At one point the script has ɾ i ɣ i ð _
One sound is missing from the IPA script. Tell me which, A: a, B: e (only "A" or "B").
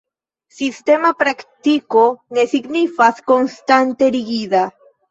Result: A